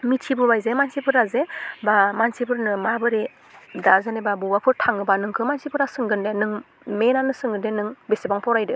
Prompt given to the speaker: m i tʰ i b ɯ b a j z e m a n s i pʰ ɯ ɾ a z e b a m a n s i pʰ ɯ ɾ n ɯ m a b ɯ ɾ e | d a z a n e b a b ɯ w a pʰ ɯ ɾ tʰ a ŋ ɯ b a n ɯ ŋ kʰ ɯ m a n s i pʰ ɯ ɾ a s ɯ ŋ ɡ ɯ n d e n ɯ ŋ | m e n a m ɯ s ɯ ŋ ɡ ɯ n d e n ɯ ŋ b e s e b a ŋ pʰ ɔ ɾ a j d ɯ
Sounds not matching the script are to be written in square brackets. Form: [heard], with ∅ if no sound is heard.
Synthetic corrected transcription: m i tʰ i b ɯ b a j z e m a n s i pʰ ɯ ɾ a z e b a m a n s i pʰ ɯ ɾ n ɯ m a b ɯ ɾ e | d a z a n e b a b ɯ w a pʰ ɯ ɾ tʰ a ŋ ɯ b a n ɯ ŋ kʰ ɯ m a n s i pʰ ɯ ɾ a s ɯ ŋ ɡ ɯ n d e n ɯ ŋ | m e n a [n] ɯ s ɯ ŋ ɡ ɯ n d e n ɯ ŋ b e s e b a ŋ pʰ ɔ ɾ a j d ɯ